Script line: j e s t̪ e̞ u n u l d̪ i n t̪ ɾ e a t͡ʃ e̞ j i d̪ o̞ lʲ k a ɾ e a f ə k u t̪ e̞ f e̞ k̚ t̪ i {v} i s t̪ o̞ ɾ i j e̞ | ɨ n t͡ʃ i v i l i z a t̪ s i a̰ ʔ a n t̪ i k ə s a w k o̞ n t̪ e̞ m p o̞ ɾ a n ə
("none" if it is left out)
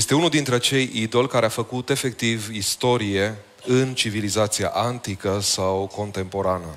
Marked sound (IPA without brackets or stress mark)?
v